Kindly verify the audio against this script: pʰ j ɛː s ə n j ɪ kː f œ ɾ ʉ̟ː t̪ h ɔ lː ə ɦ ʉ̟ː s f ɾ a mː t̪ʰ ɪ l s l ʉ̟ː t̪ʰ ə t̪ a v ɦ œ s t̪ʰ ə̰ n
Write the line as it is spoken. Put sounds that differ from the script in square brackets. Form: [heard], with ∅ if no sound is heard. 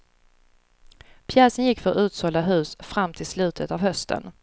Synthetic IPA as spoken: pʰ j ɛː s ə n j ɪ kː f œ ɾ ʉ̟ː t̪ [s] ɔ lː [a] ɦ ʉ̟ː s f ɾ a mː t̪ʰ ɪ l s l ʉ̟ː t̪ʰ ə t̪ a v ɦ œ s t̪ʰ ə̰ n